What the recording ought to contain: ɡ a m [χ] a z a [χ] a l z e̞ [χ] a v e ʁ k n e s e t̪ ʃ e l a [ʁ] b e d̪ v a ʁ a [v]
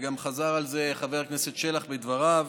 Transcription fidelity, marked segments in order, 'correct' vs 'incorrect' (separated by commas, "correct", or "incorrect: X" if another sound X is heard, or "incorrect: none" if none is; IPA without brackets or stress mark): correct, incorrect: ʁ, correct, incorrect: χ, correct